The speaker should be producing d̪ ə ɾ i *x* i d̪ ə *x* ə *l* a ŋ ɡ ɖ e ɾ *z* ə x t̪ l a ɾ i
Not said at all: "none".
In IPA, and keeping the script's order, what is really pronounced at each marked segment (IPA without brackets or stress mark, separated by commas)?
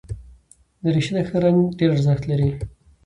ʃ, x, ɾ, z